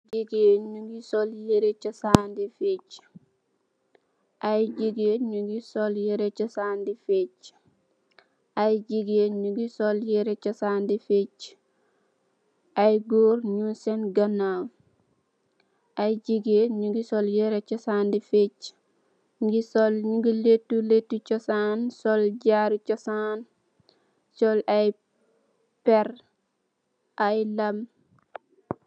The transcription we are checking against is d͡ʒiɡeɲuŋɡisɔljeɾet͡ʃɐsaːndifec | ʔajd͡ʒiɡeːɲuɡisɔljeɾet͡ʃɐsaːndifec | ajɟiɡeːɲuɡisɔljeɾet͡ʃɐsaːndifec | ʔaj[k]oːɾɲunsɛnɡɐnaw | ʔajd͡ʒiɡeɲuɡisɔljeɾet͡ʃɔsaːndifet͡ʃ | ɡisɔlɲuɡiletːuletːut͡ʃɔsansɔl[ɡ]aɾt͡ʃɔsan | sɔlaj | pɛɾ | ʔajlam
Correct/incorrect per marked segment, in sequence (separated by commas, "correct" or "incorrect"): incorrect, incorrect